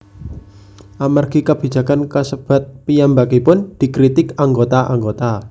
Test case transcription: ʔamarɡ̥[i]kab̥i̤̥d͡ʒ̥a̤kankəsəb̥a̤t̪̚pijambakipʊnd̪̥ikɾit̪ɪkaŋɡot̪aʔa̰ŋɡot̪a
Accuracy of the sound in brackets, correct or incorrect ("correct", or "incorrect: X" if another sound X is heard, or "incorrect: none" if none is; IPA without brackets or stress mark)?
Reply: correct